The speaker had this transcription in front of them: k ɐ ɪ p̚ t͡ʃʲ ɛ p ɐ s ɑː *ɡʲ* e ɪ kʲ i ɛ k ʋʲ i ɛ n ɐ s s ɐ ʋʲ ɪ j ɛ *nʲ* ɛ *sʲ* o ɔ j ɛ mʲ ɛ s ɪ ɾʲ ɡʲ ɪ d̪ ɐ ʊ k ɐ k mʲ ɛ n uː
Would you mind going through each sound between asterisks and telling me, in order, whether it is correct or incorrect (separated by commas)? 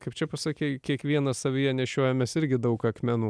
incorrect, correct, incorrect